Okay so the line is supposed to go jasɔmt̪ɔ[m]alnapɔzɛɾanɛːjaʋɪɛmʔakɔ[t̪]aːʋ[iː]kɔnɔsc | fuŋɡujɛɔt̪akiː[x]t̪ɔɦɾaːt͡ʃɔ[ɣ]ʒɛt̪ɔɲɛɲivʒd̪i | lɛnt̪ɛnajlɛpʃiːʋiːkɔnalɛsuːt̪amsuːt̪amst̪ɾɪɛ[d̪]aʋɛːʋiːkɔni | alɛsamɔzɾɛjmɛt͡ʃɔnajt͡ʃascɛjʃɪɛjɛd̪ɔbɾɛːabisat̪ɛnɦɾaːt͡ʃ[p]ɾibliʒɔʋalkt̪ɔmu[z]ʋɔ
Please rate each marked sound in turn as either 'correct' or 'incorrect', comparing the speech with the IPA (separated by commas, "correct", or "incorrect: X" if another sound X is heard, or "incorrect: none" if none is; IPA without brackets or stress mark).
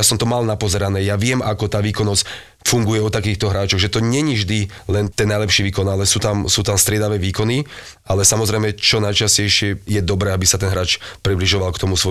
correct, correct, correct, correct, correct, correct, correct, incorrect: s